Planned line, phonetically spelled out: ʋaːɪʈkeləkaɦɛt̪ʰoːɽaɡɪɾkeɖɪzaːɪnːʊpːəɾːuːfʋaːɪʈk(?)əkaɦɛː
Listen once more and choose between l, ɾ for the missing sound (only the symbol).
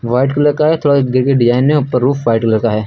l